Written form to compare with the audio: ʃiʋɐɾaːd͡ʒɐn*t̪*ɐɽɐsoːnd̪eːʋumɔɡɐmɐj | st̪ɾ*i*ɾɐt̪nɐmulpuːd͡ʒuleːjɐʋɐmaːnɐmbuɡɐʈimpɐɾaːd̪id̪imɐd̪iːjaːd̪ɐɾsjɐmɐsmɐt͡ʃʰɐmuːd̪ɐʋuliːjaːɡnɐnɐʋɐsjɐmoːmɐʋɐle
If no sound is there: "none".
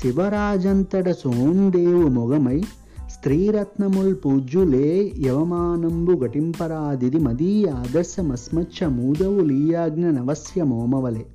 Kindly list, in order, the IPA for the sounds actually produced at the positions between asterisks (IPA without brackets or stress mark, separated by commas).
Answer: t̪, iː